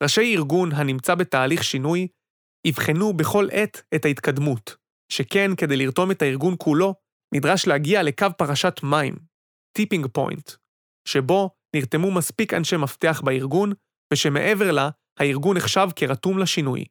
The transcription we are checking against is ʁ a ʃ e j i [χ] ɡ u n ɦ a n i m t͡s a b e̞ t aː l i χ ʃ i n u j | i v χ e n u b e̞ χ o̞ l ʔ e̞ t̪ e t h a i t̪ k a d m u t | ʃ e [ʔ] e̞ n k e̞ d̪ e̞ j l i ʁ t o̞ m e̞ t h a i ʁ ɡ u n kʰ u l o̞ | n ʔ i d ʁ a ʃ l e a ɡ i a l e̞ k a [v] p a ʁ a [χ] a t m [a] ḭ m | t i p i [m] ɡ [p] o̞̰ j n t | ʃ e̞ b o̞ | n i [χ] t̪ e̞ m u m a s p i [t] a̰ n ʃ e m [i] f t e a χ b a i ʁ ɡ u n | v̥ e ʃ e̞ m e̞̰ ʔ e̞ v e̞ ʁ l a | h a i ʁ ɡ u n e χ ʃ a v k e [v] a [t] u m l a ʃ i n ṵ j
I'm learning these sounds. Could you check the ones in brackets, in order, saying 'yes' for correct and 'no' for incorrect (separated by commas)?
no, no, yes, no, yes, no, yes, no, no, no, no, yes